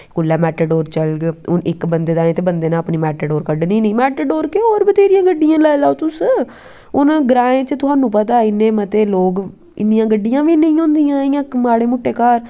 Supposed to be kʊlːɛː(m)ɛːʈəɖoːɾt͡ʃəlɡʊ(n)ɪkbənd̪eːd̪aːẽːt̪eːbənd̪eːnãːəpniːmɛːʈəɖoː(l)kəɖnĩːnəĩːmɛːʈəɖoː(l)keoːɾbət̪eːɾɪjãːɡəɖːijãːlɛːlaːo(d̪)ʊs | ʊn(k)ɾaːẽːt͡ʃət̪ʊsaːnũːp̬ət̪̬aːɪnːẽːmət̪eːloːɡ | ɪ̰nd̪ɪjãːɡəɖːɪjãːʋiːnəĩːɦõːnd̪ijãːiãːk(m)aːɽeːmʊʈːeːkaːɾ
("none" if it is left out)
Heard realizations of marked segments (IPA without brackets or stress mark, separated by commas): m, n, ɾ, ɾ, t̪, ɡ, m